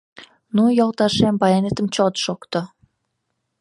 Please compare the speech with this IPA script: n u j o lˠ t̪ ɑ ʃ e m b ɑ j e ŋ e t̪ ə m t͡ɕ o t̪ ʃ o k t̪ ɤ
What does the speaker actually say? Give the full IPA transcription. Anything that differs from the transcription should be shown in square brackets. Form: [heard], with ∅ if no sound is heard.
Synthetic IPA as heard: n u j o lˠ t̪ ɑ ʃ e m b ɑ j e [n] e t̪ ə m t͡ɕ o t̪ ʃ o k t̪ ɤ